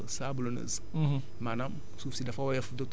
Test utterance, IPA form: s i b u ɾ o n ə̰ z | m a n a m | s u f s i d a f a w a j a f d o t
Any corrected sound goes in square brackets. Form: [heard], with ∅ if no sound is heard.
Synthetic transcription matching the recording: s [a] b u [l] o n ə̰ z | m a n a m | s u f s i d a f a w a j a f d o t